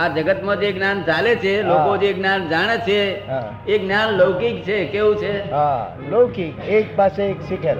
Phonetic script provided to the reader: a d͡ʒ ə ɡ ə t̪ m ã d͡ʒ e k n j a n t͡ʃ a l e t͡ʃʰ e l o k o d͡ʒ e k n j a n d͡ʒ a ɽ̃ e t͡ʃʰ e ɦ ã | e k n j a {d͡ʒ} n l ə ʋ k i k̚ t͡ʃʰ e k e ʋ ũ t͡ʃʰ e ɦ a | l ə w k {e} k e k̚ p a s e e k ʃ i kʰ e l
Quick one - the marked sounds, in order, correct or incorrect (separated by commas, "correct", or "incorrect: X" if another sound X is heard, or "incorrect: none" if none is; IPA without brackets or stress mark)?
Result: incorrect: none, incorrect: i